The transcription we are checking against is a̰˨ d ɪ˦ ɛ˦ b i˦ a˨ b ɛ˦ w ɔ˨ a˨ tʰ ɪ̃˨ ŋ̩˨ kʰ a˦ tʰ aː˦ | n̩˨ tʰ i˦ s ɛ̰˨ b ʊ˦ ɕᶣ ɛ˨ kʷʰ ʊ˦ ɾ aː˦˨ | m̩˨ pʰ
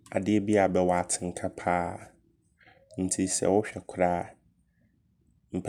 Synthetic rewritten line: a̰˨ d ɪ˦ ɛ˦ b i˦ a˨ b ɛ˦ w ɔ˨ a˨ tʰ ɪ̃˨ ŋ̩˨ kʰ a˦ pʰ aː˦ | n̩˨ tʰ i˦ s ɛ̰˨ w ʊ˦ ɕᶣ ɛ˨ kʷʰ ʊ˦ ɾ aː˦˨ | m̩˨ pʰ